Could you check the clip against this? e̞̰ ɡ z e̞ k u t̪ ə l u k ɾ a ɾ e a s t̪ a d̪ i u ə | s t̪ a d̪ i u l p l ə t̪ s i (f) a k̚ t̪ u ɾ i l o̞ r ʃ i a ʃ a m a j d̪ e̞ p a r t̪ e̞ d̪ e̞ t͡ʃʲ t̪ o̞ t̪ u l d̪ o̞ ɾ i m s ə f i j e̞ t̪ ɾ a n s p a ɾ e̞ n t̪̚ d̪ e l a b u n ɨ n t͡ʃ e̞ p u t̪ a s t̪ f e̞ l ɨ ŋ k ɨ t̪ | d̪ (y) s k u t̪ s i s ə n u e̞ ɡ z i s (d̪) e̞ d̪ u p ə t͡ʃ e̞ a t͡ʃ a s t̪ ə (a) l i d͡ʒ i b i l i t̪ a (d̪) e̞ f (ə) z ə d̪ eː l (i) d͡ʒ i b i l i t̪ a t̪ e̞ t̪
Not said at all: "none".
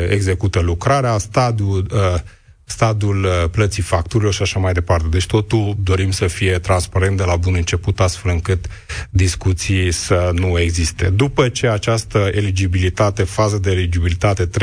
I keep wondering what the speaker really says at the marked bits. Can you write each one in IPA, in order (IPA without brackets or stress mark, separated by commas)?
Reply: f, i, t̪, e, t̪, a, i